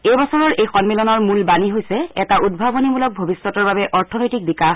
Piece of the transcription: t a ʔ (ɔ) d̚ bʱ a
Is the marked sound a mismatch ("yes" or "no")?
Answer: yes